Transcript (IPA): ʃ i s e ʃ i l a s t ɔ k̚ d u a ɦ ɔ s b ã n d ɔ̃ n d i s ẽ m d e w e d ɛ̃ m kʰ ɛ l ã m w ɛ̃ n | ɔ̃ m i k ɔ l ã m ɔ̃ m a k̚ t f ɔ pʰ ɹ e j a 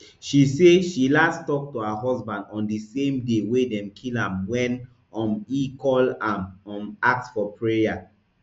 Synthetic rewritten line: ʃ i s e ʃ i l a s t ɔ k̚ t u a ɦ ɔ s b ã n d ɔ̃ n d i s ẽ m d e w e d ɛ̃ m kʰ i l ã m w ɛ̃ n | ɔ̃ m i k ɔ l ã m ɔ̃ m a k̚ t f ɔ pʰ ɹ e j a